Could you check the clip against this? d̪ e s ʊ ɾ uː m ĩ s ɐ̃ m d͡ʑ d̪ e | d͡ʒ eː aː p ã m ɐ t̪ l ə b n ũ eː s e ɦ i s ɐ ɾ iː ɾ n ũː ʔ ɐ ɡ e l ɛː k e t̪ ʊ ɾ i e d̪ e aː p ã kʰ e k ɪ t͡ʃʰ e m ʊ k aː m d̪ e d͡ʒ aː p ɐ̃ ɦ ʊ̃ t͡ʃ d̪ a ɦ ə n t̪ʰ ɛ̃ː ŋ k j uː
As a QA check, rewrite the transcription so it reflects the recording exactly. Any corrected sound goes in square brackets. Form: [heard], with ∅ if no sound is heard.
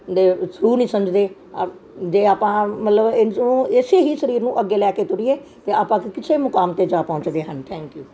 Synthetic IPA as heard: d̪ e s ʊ ɾ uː [n] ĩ s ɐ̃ m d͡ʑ d̪ e | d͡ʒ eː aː p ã m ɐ t̪ l ə b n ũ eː s e ɦ i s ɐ ɾ iː ɾ n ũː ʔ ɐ ɡ e l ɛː k e t̪ ʊ ɾ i e [t̪] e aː p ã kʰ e k ɪ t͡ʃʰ e m ʊ k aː m [t̪] e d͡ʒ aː p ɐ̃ ɦ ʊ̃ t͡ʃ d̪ [e] ɦ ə n t̪ʰ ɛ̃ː ŋ k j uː